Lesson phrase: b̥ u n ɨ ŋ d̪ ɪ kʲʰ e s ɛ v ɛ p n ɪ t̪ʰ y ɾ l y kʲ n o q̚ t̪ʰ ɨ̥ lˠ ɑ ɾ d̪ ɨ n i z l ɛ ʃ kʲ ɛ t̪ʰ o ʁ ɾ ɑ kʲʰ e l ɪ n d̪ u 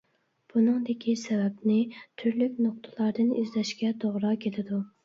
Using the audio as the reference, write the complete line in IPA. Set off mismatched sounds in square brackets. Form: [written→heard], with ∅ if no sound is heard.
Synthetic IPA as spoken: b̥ u n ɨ ŋ d̪ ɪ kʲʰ [e→i] s ɛ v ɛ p n ɪ t̪ʰ y ɾ l y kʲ n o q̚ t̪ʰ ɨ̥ lˠ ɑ ɾ d̪ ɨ n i z l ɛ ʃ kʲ ɛ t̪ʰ o ʁ ɾ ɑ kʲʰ e l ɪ [n→∅] d̪ u

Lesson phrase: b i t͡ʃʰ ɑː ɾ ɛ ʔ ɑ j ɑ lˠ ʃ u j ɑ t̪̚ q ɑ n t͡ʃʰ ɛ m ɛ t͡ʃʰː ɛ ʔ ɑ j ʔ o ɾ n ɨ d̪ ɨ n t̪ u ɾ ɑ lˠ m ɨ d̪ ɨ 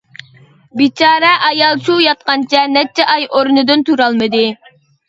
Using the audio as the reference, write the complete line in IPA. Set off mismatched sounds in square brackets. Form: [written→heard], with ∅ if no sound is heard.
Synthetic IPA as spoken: b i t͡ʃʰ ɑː ɾ ɛ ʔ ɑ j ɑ lˠ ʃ u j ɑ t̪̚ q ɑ n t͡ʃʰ ɛ [m→n] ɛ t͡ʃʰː ɛ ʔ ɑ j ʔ o ɾ n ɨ d̪ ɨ n t̪ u ɾ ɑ lˠ m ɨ d̪ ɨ

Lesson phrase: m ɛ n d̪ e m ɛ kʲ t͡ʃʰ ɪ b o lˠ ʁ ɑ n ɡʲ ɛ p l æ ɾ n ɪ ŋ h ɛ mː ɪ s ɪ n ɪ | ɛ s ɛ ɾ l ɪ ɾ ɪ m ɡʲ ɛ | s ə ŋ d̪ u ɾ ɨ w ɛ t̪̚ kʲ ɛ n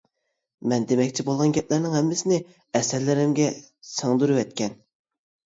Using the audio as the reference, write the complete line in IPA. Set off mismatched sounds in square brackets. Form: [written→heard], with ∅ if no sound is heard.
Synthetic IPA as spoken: m ɛ n d̪ e m ɛ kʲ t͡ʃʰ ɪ b o lˠ ʁ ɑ n ɡʲ ɛ p l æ ɾ n ɪ ŋ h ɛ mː ɪ s ɪ n ɪ | ɛ s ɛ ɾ l ɪ ɾ ɪ m ɡʲ ɛ | s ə ŋ d̪ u ɾ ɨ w ɛ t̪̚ kʲ ɛ n

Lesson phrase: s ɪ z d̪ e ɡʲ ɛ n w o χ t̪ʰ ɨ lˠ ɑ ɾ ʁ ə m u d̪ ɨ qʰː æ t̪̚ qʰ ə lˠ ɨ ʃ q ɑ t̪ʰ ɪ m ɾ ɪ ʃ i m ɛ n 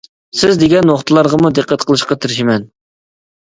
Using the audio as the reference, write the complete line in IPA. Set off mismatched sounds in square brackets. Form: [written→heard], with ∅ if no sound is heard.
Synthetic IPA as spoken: s ɪ z d̪ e ɡʲ ɛ n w o χ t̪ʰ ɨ lˠ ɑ ɾ ʁ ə m u d̪ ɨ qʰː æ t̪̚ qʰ ə lˠ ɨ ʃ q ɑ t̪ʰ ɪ [m→∅] ɾ ɪ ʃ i m ɛ n

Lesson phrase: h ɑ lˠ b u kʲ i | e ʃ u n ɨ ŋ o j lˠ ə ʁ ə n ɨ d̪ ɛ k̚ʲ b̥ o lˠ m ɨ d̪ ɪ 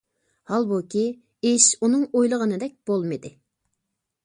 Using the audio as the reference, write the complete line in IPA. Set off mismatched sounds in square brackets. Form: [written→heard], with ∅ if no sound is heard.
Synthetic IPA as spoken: h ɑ lˠ b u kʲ i | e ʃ u n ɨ ŋ o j lˠ ə ʁ ə n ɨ d̪ ɛ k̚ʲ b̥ o lˠ m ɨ d̪ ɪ

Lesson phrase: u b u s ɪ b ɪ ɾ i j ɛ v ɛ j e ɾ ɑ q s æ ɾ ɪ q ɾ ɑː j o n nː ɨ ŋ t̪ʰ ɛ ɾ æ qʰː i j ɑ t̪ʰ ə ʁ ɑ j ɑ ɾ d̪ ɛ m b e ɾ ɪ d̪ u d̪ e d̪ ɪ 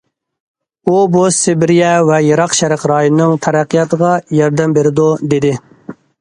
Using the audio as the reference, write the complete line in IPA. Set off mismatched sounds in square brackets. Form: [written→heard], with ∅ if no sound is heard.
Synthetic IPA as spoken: u b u s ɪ b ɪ ɾ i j ɛ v ɛ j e ɾ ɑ q [s→ʃ] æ ɾ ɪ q ɾ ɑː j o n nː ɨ ŋ t̪ʰ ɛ ɾ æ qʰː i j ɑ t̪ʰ ə ʁ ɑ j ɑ ɾ d̪ ɛ m b e ɾ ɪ d̪ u d̪ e d̪ ɪ

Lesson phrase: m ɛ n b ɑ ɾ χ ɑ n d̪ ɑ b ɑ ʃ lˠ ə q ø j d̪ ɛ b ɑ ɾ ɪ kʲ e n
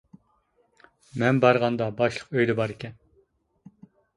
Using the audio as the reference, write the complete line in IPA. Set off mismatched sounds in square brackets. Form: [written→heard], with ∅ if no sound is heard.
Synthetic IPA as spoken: m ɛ n b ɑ ɾ [χ→ʁ] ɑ n d̪ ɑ b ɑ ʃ lˠ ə q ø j d̪ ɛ b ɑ ɾ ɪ kʲ [e→ɛ] n

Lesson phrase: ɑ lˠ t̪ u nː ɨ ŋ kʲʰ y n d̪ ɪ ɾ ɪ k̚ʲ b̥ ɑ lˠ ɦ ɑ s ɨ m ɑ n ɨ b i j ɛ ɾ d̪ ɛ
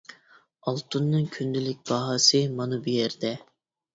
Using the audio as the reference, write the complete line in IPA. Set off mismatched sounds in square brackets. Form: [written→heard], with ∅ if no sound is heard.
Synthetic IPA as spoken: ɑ lˠ t̪ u nː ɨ ŋ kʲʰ y n d̪ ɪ [ɾ→l] ɪ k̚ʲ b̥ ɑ [lˠ→∅] ɦ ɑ s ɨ m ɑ n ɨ b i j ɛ ɾ d̪ ɛ

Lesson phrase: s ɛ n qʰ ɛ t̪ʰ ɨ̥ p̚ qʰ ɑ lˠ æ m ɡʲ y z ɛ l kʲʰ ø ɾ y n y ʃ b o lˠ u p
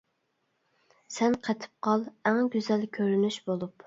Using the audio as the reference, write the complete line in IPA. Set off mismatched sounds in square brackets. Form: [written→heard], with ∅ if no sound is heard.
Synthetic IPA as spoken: s ɛ n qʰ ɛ t̪ʰ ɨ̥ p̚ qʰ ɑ lˠ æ [m→ŋ] ɡʲ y z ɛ l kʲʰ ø ɾ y n y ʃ b o lˠ u p

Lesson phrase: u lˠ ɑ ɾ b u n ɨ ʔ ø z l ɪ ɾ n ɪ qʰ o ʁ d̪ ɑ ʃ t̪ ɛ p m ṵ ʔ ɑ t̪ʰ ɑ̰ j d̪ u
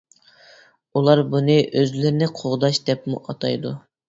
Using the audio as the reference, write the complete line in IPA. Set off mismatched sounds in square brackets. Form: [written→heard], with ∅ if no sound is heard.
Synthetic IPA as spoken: u lˠ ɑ ɾ b u n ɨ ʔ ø z l ɪ ɾ n ɪ qʰ o ʁ d̪ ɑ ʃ [t̪→d̪] ɛ p m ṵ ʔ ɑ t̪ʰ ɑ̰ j d̪ u

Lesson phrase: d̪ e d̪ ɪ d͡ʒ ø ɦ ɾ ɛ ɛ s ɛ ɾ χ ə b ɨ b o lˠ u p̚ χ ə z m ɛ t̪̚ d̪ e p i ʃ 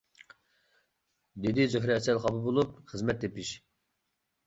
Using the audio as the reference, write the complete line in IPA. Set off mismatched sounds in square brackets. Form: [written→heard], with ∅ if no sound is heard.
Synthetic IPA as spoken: d̪ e d̪ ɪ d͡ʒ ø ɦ ɾ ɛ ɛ s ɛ [ɾ→l] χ [ə→ɑ] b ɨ b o lˠ u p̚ χ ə z m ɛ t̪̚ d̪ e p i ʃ

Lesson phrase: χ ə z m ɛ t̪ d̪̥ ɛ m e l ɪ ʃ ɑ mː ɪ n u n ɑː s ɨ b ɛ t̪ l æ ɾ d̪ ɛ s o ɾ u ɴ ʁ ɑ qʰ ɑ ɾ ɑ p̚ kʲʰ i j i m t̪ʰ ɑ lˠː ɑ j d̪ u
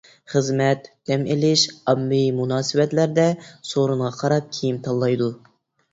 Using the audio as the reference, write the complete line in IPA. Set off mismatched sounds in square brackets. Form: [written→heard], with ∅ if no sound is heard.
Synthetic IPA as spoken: χ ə z m ɛ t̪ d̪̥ ɛ m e l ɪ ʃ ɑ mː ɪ [n→m] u n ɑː s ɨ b ɛ t̪ l æ ɾ d̪ ɛ s o ɾ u ɴ ʁ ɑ qʰ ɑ ɾ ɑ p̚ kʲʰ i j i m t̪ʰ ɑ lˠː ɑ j d̪ u

